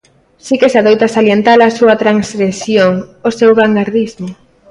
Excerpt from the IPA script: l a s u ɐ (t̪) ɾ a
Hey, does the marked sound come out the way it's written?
yes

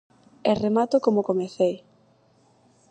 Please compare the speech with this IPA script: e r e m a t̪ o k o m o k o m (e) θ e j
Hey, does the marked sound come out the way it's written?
yes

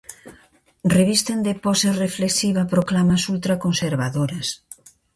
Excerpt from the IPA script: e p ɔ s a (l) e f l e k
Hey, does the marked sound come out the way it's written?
no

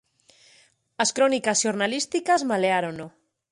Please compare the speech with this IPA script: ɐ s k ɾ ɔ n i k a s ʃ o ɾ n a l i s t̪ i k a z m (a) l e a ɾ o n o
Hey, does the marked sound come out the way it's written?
yes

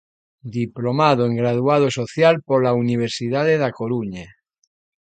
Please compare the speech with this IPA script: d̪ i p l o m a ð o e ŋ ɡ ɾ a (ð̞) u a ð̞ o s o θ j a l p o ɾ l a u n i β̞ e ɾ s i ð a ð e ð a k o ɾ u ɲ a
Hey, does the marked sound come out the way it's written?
yes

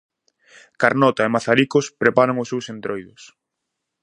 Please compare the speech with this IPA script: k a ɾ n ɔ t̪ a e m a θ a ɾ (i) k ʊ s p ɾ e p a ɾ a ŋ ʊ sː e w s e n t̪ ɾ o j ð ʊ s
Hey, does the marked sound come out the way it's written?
yes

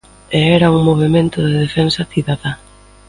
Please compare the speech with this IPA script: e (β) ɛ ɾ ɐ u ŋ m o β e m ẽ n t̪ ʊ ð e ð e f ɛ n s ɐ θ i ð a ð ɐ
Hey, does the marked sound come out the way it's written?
no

